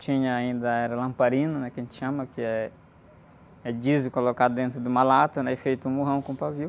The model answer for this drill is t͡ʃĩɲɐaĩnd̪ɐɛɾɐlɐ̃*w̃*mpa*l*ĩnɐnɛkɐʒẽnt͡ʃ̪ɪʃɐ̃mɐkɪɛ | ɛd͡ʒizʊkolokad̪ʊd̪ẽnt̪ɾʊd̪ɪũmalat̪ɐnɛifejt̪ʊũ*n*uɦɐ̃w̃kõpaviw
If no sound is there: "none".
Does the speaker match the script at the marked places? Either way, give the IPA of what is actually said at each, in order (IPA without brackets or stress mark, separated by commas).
none, ɾ, m